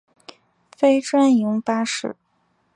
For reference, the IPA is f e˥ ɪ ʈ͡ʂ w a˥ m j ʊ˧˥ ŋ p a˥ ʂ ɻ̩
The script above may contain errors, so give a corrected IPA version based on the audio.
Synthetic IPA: f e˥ ɪ ʈ͡ʂ w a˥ n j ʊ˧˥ ŋ p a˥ ʂ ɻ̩